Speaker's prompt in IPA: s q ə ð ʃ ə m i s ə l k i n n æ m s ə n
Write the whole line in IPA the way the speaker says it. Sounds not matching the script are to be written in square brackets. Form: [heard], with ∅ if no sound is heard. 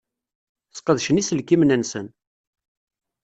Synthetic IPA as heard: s q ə ð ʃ ə [n] i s ə l k i [m] n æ [n] s ə n